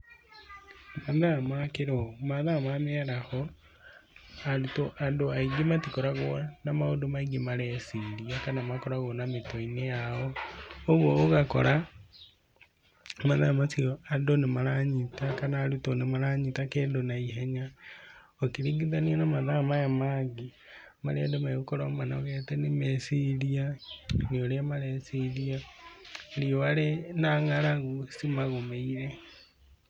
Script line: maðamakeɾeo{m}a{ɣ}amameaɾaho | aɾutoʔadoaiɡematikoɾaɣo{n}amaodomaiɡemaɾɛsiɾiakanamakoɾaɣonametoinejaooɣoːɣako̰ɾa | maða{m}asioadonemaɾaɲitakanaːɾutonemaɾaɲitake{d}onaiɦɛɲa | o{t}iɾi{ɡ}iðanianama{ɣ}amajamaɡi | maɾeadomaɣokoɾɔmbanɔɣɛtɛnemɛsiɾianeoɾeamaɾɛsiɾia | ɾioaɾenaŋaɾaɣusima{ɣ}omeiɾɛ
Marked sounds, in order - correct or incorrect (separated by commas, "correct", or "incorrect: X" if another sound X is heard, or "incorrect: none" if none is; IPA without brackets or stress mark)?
correct, incorrect: ð, correct, correct, correct, incorrect: k, correct, incorrect: ð, correct